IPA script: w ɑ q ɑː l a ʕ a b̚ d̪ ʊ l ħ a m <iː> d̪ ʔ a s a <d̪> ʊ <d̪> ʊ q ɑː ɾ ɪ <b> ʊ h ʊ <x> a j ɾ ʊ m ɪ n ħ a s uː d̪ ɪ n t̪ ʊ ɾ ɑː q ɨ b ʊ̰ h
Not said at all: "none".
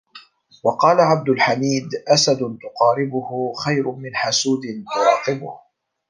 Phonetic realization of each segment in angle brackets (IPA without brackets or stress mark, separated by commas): iː, d̪, t̪, b, x